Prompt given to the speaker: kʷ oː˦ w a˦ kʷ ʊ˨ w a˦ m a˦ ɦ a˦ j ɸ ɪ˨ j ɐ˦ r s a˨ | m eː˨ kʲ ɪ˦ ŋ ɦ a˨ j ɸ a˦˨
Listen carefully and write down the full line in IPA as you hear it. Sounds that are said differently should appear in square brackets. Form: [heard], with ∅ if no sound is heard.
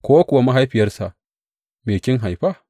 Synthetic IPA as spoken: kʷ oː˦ w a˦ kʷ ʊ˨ w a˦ m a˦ ɦ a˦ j ɸ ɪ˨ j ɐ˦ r s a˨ | m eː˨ kʲ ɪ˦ ŋ ɦ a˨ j ɸ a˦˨